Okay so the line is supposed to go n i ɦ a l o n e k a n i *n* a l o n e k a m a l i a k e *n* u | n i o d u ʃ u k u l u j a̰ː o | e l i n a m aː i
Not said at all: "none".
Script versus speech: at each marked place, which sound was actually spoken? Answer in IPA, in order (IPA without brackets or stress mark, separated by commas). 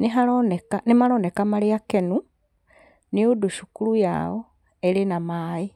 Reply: m, n